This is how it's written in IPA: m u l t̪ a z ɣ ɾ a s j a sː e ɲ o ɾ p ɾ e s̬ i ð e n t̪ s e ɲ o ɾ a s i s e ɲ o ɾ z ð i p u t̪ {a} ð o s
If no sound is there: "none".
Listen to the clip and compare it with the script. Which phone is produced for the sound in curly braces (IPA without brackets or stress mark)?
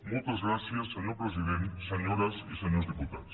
a